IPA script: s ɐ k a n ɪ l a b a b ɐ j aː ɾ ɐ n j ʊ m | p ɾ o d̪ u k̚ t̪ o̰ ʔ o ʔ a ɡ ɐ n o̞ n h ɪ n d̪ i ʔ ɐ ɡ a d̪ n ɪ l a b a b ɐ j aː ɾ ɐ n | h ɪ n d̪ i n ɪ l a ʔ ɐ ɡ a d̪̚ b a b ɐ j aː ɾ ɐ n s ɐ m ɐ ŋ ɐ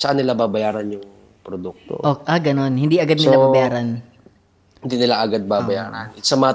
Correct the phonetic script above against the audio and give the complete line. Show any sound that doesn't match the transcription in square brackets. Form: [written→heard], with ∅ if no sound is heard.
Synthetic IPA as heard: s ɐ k a n ɪ l a b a b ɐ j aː ɾ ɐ n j ʊ [m→ŋ] | p ɾ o d̪ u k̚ t̪ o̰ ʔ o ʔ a ɡ ɐ n o̞ n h ɪ n d̪ i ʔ ɐ ɡ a d̪ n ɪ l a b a b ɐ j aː ɾ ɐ n | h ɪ n d̪ i n ɪ l a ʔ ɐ ɡ a d̪̚ b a b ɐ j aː ɾ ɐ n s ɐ m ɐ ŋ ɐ